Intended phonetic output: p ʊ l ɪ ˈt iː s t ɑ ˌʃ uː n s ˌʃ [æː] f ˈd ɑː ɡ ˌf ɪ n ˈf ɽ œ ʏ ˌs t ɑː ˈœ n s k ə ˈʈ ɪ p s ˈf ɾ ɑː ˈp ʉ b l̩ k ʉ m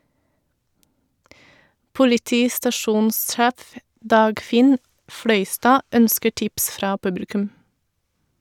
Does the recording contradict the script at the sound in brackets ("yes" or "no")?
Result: no